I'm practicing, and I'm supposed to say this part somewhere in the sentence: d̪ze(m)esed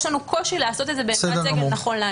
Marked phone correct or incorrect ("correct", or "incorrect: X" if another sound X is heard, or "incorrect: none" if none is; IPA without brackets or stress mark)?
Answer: incorrect: b